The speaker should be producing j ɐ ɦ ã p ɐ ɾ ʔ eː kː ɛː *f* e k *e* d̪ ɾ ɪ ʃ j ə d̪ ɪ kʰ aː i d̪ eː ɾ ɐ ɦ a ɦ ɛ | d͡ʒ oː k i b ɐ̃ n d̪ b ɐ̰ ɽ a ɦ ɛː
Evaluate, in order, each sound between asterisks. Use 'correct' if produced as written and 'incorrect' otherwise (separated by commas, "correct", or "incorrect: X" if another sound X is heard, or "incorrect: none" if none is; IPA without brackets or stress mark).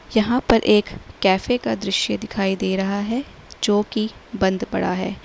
correct, incorrect: a